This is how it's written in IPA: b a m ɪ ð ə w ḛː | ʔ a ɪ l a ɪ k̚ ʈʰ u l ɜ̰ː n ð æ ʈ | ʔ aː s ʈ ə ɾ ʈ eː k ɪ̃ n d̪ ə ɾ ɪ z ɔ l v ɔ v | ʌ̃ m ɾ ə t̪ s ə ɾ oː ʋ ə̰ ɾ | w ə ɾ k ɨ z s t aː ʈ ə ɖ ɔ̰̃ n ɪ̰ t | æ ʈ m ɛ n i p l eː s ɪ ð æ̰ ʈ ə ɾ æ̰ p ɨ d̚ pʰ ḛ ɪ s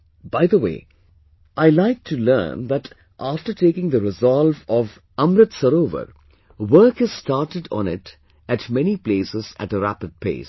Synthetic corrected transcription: b a ɪ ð ə w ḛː | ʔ a ɪ l a ɪ k̚ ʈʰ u l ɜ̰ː n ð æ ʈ | ʔ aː f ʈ ə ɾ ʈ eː k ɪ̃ ŋ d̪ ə ɾ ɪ z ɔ l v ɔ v | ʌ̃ m ɾ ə t̪ s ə ɾ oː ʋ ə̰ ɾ | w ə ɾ k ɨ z s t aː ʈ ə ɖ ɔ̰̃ n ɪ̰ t | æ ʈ m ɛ n i p l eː s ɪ z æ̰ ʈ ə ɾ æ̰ p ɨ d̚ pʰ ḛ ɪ s